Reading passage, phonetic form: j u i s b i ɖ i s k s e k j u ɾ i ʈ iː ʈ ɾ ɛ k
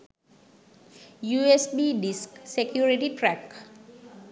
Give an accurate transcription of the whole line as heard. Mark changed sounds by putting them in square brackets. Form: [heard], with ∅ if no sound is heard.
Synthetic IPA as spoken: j u [e] s b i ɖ i s k s e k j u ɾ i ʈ [i] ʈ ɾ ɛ k